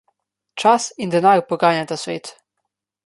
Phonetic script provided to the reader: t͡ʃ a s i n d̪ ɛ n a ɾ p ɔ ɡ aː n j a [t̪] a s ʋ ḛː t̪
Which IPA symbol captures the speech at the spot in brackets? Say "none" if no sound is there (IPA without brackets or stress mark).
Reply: t̪